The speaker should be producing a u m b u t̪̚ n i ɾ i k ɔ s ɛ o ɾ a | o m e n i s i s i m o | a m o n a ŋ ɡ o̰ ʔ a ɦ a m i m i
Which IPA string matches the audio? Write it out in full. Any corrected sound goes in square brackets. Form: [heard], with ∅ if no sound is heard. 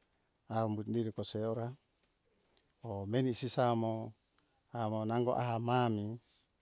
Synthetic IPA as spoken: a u m b u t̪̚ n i ɾ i k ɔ s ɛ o ɾ a | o m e n i s i s [a] m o | a m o n a ŋ ɡ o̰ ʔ a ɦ a m [a] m i